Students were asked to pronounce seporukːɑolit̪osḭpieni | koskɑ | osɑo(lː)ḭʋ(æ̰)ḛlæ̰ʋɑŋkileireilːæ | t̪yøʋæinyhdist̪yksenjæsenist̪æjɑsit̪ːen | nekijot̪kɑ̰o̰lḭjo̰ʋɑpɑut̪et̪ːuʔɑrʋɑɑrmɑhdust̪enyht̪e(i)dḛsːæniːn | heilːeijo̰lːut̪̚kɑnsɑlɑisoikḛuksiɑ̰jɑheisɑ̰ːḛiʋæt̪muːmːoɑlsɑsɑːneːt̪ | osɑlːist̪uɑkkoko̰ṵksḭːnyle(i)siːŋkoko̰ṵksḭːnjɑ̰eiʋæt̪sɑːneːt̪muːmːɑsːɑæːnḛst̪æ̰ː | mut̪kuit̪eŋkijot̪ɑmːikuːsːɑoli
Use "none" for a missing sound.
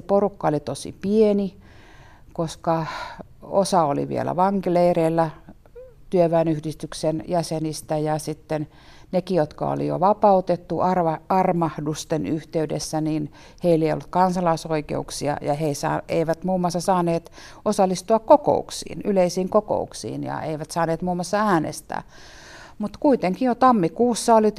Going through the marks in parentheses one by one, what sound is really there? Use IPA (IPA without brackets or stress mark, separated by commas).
l, ḭ, y, i